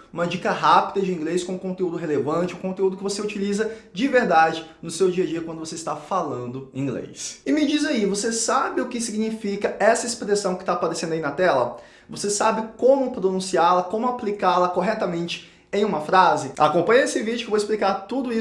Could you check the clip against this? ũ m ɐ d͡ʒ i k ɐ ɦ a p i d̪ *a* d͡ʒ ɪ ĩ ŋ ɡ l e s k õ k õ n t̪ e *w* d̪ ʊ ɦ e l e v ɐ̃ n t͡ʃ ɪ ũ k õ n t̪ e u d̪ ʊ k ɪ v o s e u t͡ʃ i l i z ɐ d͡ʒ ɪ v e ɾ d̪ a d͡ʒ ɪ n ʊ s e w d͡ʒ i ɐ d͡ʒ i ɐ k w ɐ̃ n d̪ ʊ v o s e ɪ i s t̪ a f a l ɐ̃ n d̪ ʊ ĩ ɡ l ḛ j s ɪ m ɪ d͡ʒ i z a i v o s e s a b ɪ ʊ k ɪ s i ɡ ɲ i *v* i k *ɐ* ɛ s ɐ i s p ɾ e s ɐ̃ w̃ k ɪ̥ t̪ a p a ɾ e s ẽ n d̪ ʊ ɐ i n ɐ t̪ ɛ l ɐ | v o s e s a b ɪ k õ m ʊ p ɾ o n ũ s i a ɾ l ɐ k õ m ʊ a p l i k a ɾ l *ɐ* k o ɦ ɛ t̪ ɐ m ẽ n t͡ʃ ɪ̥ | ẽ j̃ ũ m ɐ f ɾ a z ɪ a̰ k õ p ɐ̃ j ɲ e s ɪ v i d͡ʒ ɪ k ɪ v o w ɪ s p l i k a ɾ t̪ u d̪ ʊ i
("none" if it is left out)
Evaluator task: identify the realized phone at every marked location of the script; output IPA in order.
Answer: ɐ, u, f, ɐ, ɐ

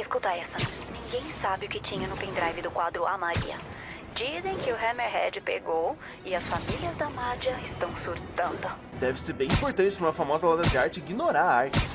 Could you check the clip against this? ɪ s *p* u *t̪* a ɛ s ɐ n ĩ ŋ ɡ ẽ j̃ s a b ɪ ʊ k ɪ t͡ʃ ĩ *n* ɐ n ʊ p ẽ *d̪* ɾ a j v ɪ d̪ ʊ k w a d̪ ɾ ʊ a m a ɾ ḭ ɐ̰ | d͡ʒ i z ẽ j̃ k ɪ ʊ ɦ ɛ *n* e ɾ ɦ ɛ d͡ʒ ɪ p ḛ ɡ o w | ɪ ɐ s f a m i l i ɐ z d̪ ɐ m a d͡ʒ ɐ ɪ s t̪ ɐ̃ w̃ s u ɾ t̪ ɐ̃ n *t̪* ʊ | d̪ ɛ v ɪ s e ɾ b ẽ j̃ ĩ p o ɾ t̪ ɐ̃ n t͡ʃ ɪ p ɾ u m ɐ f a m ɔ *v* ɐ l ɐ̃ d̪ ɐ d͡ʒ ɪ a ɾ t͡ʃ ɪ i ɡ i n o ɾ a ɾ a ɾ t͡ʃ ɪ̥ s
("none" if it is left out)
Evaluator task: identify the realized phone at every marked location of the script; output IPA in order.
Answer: k, t̪, ɲ, d̪, m, d̪, z

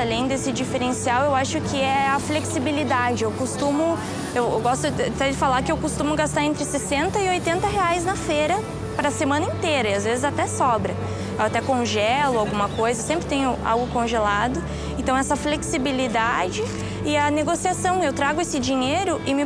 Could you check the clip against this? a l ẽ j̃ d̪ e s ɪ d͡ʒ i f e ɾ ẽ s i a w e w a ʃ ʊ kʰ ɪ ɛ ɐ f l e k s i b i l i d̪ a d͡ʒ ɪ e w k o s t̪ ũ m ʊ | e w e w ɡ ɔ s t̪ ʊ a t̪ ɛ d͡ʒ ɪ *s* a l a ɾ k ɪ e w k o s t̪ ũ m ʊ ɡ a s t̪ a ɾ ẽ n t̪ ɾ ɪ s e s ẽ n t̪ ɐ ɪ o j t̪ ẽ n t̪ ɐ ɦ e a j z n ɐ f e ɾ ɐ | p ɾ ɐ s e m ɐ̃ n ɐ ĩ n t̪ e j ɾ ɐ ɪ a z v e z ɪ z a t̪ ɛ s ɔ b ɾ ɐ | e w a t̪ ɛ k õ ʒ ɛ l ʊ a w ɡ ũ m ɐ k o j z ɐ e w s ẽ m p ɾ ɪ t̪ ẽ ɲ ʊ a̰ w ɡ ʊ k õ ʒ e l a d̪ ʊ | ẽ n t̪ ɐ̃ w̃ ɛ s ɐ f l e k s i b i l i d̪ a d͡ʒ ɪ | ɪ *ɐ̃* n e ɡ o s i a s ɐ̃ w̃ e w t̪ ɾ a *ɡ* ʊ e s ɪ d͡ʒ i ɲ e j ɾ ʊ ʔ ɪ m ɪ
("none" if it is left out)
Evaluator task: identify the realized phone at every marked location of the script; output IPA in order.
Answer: f, ɐ, ɡ

